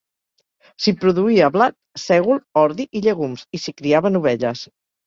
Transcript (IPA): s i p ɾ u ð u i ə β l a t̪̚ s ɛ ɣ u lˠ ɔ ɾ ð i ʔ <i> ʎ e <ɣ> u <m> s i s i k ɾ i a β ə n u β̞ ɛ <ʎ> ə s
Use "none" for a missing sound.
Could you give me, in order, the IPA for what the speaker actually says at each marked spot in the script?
i, ɣ, m, ʎ

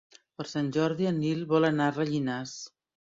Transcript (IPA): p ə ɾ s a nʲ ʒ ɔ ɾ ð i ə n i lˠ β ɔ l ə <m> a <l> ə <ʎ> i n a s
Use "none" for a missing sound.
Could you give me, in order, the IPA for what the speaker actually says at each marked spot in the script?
n, r, ʎ

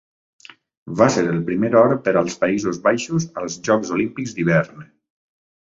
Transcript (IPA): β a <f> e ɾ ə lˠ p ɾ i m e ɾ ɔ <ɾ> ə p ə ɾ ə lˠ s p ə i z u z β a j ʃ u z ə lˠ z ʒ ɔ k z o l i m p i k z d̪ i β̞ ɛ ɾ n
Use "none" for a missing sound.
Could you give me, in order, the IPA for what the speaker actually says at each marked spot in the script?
s, ɾ

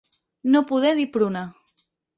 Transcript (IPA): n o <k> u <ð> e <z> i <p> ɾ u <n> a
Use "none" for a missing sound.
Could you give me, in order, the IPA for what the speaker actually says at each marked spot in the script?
p, ð, ð, p, n

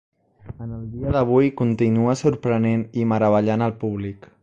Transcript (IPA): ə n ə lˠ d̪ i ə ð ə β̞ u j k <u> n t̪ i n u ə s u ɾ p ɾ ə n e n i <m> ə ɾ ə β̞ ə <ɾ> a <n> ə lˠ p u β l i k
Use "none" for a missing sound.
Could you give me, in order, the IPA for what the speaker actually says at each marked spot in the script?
u, m, ʎ, n

